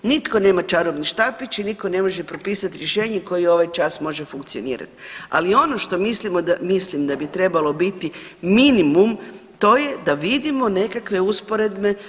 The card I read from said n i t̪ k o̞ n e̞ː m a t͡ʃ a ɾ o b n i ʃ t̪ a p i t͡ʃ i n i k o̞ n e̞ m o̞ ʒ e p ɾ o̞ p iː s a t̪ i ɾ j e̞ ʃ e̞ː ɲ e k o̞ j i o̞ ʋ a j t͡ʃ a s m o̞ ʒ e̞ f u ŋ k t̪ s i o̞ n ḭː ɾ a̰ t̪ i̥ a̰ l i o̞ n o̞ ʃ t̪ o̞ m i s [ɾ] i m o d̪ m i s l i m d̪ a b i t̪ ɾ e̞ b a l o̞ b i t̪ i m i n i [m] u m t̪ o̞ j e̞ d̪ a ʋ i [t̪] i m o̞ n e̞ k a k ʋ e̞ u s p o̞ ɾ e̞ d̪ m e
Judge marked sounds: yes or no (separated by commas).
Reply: no, yes, no